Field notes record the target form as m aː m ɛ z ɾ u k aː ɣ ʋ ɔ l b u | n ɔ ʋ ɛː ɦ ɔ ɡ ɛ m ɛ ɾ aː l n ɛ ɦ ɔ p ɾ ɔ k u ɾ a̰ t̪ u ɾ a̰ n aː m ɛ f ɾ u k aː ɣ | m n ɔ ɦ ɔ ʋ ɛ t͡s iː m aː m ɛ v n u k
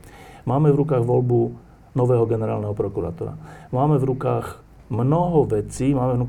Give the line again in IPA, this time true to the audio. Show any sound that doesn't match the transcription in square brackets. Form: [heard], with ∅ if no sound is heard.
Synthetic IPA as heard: m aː m ɛ [v] ɾ u k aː ɣ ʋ ɔ l b u | n ɔ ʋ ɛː ɦ ɔ ɡ ɛ [n] ɛ ɾ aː l n ɛ ɦ ɔ p ɾ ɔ k u ɾ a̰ t̪ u ɾ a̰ [m] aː m ɛ [v] ɾ u k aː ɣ | m n ɔ ɦ ɔ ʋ ɛ t͡s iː m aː m ɛ v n u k